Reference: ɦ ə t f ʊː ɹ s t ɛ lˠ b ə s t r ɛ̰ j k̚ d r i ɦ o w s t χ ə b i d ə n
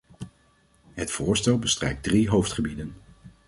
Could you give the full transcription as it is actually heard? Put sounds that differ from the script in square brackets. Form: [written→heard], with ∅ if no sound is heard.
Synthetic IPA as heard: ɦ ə t f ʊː ɹ s t ɛ lˠ b ə s t r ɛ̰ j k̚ d r i ɦ o w [s→f] t χ ə b i d ə n